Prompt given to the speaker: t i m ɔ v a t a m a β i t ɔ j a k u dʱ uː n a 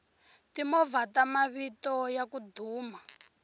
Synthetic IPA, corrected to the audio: t i m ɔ v a t a m a β i t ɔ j a k u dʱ uː m a